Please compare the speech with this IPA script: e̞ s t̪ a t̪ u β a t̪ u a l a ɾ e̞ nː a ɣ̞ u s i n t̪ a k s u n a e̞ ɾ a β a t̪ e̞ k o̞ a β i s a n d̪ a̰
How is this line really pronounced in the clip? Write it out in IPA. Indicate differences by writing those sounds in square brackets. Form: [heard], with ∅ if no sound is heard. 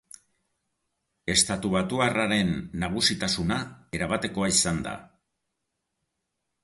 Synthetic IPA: e̞ s t̪ a t̪ u β a t̪ u a [r] a ɾ e̞ nː a ɣ̞ u s i [∅] t̪ a [∅] s u n a e̞ ɾ a β a t̪ e̞ k o̞ a [∅] i s a n d̪ a̰